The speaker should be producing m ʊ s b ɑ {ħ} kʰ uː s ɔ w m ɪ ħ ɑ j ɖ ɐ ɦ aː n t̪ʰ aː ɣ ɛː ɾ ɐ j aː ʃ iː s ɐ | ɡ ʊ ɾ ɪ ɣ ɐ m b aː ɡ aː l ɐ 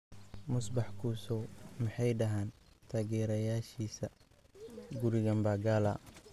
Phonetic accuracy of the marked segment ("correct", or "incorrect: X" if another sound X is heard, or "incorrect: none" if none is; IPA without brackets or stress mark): correct